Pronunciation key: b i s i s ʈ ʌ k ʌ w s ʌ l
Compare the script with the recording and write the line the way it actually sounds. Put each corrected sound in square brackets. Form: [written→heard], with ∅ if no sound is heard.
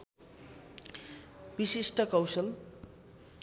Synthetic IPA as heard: b i s i s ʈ ʌ k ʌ w s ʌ l